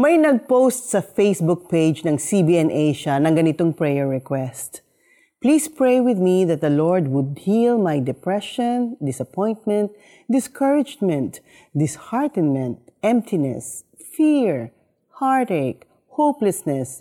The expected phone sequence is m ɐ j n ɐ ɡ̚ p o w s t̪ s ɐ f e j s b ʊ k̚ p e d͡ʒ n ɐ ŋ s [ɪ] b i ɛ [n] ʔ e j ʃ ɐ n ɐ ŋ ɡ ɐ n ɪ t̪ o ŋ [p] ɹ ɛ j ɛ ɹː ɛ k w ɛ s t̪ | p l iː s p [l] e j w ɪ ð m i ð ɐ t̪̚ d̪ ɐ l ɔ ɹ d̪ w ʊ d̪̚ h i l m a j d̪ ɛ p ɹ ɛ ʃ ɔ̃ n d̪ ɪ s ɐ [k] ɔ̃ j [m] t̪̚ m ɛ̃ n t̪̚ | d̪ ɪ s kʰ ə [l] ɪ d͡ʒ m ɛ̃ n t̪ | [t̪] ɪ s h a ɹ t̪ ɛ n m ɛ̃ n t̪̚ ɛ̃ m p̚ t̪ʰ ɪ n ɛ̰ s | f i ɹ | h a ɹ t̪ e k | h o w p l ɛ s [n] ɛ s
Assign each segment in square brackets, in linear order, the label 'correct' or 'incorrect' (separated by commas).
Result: incorrect, correct, correct, incorrect, incorrect, incorrect, incorrect, incorrect, correct